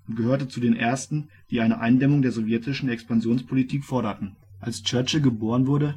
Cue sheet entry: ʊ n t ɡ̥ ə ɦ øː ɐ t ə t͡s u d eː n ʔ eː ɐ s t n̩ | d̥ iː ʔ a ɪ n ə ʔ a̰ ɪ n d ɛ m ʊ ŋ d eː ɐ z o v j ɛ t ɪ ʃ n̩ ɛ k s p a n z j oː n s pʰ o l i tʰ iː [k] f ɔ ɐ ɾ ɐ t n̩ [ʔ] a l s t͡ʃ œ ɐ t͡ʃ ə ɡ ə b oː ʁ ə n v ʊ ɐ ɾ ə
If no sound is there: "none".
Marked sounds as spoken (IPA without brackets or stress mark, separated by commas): k, ʔ